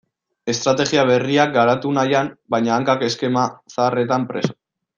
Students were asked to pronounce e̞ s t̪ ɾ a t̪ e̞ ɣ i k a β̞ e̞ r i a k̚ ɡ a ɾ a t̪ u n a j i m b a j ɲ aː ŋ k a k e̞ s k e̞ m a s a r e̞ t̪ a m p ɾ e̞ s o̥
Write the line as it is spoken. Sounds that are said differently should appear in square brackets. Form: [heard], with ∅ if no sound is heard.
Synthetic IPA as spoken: e̞ s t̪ ɾ a t̪ e̞ ɣ i [∅] a β̞ e̞ r i a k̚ ɡ a ɾ a t̪ u n a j [a] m b a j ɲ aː ŋ k a k e̞ s k e̞ m a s a r e̞ t̪ a m p ɾ e̞ s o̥